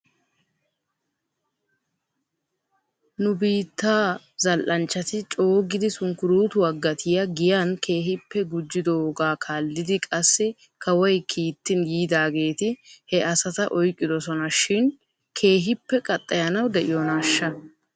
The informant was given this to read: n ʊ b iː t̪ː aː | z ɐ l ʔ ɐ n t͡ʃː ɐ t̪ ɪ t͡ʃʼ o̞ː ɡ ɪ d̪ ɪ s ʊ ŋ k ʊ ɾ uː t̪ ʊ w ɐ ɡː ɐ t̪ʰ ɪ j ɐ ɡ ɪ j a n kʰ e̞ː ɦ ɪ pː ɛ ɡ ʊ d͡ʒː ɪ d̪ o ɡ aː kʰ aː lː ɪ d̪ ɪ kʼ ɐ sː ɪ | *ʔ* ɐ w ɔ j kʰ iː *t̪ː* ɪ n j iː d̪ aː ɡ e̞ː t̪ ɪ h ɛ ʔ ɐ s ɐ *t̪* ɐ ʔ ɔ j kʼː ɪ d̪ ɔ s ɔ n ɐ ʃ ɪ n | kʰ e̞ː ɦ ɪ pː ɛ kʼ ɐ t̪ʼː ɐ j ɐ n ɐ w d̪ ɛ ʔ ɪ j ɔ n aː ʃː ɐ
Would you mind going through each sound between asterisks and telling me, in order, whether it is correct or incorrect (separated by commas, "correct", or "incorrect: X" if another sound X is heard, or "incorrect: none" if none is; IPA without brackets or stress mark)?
incorrect: k, correct, correct